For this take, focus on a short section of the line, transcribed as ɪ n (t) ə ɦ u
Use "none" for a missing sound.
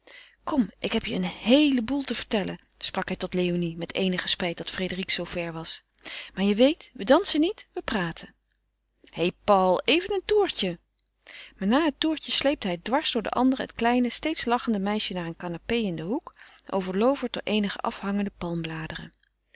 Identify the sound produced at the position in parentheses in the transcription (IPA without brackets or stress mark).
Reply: d